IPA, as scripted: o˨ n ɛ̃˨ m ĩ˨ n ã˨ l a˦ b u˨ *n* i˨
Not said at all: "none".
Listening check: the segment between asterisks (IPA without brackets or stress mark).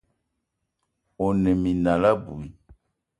none